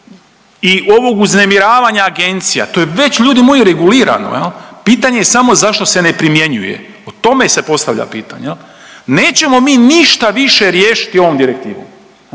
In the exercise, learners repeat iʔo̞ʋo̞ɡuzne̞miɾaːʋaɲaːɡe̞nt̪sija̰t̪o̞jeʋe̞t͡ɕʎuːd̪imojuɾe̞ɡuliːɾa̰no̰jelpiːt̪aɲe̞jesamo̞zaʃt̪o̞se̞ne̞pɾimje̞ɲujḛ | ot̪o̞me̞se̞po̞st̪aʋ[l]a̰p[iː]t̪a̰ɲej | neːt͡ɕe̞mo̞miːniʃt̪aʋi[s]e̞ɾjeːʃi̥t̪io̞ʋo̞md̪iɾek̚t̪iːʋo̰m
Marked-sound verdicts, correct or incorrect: incorrect: ʎ, correct, incorrect: ʃ

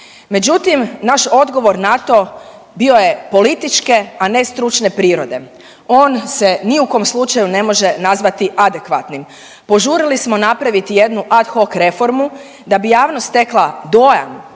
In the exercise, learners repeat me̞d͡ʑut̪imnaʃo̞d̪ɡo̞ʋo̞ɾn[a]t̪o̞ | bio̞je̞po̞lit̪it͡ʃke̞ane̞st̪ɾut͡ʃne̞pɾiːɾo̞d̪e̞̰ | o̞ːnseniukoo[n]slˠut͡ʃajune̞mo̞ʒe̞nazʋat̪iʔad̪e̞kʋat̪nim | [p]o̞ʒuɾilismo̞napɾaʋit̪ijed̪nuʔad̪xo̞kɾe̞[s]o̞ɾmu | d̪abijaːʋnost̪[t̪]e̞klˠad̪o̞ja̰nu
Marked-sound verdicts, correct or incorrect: correct, incorrect: m, correct, incorrect: f, correct

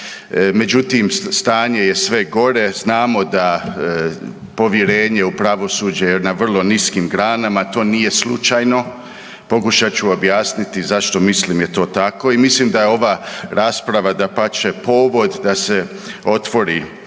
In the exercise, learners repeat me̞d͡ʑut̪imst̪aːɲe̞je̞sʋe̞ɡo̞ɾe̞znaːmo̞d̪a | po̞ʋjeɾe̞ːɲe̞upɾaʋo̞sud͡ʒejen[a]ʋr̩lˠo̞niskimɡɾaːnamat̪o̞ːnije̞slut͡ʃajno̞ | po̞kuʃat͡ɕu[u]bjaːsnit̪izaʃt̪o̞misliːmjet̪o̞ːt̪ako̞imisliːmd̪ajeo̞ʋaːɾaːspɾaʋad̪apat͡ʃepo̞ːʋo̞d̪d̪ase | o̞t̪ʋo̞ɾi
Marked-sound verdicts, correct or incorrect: correct, incorrect: o

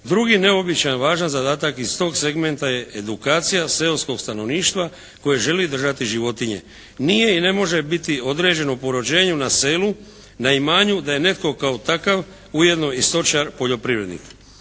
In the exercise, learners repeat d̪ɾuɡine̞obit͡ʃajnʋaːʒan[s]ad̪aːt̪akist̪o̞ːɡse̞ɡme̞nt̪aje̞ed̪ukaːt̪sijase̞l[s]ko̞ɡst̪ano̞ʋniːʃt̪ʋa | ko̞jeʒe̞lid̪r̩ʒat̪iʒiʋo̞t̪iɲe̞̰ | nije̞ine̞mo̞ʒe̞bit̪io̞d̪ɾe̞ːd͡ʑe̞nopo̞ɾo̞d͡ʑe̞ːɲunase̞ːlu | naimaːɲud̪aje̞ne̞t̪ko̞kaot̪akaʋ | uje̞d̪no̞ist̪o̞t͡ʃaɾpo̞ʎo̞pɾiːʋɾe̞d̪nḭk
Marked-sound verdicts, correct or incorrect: incorrect: z, correct

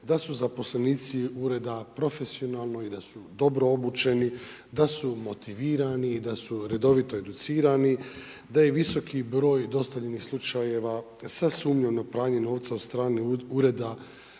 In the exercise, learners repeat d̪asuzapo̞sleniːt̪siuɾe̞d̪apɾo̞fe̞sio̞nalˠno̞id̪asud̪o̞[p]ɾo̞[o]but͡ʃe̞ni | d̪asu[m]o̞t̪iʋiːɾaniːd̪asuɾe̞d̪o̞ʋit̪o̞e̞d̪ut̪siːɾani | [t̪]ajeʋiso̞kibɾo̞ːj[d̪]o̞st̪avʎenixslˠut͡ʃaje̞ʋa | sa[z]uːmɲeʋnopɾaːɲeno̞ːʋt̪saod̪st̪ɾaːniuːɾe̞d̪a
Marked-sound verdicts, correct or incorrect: incorrect: b, correct, correct, incorrect: d̪, correct, incorrect: s

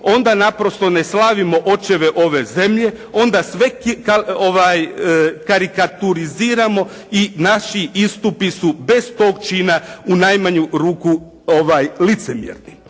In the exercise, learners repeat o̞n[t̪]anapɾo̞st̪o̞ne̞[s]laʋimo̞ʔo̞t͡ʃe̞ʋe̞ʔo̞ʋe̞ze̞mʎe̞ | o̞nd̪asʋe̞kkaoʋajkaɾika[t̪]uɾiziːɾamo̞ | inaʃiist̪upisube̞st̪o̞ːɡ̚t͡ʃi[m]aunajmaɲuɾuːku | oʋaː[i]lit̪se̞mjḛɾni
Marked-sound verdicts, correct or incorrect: incorrect: d̪, correct, correct, incorrect: n, incorrect: j

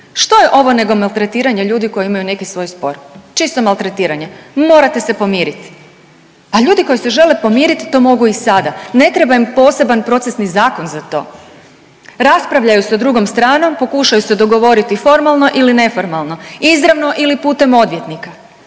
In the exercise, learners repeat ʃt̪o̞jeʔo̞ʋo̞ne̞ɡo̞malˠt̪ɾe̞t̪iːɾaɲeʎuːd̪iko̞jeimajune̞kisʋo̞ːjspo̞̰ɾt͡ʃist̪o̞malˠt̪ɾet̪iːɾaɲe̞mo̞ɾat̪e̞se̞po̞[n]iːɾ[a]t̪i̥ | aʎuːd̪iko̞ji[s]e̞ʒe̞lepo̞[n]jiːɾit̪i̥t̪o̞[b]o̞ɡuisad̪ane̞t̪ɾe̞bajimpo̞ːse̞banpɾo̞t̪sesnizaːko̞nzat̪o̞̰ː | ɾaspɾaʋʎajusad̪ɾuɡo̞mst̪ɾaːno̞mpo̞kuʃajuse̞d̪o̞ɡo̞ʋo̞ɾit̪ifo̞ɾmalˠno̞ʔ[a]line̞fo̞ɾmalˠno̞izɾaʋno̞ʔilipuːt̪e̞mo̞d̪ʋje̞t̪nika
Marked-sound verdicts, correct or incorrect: incorrect: m, incorrect: i, correct, incorrect: m, incorrect: m, incorrect: i

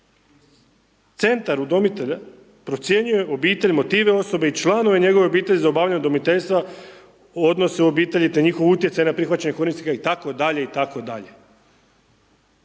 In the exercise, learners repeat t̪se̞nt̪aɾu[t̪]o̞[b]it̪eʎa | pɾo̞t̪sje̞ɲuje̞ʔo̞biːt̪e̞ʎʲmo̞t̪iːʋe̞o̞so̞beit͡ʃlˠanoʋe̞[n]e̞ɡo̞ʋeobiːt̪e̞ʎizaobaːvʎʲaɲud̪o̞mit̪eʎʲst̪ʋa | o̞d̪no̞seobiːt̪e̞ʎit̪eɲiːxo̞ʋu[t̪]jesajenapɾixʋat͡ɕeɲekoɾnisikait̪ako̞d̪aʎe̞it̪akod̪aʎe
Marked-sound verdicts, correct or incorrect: incorrect: d̪, incorrect: m, incorrect: ɲ, correct

